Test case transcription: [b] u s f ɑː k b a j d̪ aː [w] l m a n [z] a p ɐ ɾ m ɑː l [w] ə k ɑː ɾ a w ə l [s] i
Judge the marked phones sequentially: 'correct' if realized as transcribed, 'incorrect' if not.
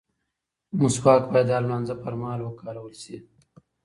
incorrect, incorrect, correct, correct, correct

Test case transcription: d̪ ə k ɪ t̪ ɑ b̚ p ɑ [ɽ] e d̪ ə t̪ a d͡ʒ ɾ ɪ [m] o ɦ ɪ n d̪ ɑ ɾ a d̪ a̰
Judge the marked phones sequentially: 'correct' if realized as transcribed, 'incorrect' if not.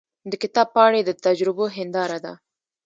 correct, incorrect

